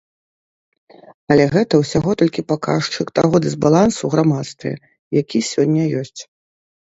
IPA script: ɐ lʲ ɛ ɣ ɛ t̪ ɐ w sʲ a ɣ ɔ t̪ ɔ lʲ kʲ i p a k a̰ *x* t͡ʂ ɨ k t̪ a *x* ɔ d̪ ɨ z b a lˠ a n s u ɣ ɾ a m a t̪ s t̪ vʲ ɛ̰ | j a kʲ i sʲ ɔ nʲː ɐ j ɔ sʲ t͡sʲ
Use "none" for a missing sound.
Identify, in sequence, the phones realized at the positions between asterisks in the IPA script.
ʂ, ɣ

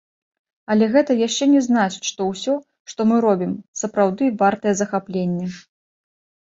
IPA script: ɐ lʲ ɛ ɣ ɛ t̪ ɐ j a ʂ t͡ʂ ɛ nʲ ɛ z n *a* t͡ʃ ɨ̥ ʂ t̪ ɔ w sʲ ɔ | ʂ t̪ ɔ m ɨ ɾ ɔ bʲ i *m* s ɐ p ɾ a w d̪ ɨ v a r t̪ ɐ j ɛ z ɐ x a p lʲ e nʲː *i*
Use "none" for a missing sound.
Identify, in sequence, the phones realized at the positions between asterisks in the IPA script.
a, m, ɛ

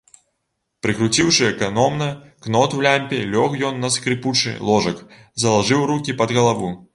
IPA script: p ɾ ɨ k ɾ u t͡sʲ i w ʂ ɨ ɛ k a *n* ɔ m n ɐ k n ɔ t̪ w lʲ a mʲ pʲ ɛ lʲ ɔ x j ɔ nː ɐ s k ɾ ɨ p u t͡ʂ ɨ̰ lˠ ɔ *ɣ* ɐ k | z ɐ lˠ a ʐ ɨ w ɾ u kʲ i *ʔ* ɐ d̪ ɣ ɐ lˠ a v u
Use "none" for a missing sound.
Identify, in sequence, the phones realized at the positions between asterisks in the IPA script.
n, ʐ, p

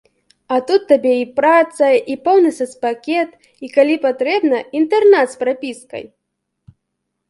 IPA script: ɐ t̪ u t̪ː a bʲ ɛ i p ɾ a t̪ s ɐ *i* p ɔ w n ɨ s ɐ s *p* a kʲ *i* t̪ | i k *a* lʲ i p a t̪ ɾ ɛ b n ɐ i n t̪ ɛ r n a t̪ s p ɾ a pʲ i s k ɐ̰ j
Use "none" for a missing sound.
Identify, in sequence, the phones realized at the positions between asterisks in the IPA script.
i, p, ɛ, a

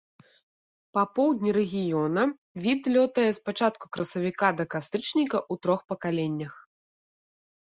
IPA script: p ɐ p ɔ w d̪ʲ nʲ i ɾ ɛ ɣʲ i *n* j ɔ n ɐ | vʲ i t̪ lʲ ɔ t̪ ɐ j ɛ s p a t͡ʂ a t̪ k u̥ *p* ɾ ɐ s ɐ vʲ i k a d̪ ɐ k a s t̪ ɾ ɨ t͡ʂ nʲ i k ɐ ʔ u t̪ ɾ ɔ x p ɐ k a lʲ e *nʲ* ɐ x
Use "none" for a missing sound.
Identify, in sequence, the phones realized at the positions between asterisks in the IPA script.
none, k, nʲː

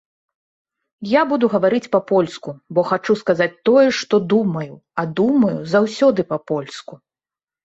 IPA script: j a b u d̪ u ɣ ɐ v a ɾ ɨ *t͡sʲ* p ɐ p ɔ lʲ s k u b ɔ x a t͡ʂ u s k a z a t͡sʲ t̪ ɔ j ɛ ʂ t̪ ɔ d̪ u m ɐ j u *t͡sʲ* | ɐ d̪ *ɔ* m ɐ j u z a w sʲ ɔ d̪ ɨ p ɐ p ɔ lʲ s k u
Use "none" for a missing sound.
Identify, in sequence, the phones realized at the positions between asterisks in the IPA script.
t͡sʲ, none, u

